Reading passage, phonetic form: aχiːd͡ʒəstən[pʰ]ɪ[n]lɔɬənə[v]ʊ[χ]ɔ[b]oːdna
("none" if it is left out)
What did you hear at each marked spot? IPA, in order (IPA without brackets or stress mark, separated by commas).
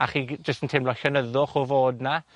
tʰ, m, ð, χ, v